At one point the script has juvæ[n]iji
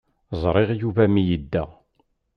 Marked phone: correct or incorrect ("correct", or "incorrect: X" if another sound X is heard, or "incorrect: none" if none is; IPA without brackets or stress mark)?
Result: incorrect: m